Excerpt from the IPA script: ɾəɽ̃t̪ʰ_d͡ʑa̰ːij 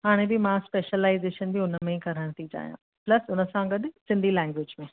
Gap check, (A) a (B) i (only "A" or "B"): B